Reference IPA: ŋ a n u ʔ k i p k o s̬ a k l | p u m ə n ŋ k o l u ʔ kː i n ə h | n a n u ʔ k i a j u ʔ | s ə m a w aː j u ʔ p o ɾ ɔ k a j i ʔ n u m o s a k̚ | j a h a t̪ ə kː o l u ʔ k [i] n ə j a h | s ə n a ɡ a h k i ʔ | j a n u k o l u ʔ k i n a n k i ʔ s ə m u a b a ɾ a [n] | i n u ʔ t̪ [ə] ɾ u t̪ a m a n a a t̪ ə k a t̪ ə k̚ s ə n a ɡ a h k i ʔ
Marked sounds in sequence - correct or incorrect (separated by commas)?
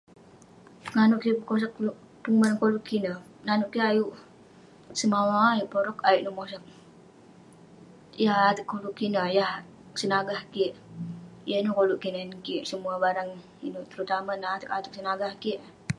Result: correct, incorrect, correct